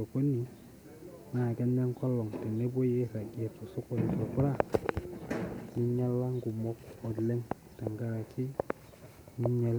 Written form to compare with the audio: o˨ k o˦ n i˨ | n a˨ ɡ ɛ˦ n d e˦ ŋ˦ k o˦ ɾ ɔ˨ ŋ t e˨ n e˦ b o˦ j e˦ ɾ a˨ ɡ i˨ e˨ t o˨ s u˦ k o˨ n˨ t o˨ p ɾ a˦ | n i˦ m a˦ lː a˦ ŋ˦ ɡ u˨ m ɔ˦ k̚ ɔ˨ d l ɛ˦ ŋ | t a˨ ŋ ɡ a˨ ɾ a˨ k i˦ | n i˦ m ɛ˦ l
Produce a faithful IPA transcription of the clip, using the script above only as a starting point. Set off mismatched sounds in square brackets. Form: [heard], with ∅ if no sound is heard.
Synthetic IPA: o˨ k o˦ n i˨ | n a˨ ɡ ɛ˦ n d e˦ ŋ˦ k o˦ [l] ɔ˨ ŋ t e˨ n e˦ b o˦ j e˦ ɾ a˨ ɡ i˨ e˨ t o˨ s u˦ k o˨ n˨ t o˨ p ɾ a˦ | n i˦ [ɲ] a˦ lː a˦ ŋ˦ ɡ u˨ m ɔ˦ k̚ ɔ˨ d l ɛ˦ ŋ | t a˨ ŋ ɡ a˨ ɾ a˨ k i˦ | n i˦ [ɲ] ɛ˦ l